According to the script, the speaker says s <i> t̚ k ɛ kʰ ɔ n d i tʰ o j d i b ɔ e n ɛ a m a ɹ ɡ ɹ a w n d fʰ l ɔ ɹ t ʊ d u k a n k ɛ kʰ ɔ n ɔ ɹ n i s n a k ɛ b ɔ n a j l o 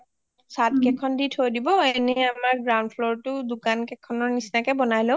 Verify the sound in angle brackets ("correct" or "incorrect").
incorrect